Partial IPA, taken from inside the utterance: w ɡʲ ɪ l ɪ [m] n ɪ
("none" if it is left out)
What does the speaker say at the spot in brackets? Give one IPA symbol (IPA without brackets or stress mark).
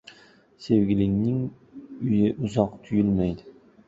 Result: ŋ